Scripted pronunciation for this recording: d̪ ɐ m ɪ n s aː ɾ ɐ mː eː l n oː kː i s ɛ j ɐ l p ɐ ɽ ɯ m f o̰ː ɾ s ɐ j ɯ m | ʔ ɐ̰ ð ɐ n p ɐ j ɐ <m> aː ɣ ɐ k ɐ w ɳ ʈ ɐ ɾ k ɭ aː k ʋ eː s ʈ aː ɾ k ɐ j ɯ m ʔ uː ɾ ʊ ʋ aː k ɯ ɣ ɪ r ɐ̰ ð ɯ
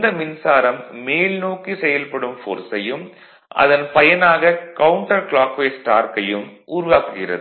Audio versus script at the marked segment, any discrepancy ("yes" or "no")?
yes